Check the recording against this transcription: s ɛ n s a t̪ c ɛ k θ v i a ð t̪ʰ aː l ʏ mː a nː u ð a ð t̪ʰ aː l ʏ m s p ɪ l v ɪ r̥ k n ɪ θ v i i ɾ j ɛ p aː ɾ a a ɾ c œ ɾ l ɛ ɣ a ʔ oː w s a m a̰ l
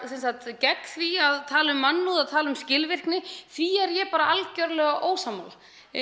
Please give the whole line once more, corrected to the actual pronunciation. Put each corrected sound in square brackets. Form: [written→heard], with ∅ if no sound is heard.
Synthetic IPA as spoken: s ɛ n s a t̪ c ɛ k θ v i a ð t̪ʰ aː l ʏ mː a nː u ð a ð t̪ʰ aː l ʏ m s [p→c] ɪ l v ɪ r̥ k n ɪ θ v i [i→ɛ] ɾ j ɛ p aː ɾ a a [ɾ→l] c œ ɾ l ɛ ɣ a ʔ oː w s a m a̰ l